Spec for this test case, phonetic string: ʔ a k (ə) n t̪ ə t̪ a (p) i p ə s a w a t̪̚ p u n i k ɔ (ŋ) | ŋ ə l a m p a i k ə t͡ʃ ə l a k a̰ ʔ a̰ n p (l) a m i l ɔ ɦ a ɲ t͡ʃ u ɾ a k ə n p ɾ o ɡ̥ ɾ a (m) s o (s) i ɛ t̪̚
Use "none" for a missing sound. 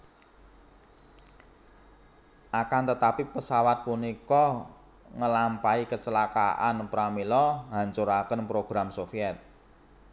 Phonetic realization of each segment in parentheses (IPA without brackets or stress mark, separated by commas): a, p, none, ɾ, m, f